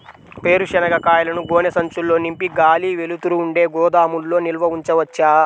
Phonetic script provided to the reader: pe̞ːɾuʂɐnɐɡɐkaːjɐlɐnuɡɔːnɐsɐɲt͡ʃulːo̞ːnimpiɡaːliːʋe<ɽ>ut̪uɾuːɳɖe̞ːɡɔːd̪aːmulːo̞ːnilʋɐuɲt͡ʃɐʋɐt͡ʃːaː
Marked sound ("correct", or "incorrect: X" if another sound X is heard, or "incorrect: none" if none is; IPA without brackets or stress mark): incorrect: l